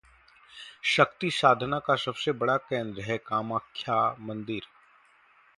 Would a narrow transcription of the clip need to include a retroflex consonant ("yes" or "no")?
yes